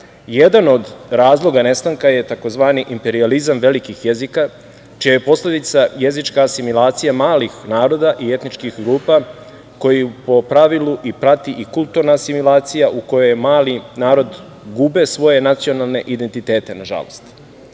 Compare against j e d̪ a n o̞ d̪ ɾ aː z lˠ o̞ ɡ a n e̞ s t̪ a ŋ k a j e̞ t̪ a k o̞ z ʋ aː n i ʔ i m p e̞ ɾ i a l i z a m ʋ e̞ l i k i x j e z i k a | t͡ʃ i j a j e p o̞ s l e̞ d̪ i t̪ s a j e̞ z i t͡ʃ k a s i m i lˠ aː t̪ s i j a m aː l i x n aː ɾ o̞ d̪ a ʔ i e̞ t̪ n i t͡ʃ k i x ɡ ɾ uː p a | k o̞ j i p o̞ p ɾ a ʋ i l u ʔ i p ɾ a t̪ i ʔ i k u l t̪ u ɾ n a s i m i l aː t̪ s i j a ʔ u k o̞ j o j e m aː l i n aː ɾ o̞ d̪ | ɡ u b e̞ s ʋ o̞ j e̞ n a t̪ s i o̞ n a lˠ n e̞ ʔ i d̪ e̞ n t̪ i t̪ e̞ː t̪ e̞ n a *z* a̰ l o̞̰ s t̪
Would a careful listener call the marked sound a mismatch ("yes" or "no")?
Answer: yes